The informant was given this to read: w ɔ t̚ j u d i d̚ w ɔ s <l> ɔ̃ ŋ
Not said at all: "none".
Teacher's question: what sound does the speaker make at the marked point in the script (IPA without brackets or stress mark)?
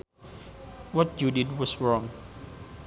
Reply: ɹ